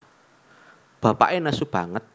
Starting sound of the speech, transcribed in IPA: b̥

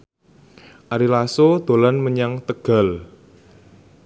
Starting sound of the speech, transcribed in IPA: ʔ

